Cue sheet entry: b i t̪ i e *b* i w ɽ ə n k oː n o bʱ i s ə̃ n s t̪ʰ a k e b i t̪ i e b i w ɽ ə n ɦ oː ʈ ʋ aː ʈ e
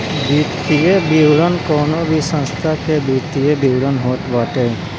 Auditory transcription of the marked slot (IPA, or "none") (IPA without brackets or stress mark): b